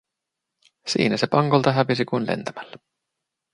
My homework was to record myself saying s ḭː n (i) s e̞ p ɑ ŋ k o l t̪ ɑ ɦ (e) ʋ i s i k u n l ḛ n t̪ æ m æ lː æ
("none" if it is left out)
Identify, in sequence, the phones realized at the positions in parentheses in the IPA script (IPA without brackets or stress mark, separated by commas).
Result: æ, æ